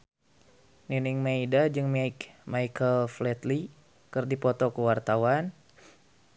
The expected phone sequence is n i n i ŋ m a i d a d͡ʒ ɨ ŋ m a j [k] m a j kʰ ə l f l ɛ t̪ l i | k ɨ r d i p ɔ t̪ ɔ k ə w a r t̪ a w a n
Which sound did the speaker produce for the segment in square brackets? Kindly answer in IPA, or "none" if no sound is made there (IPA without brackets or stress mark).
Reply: k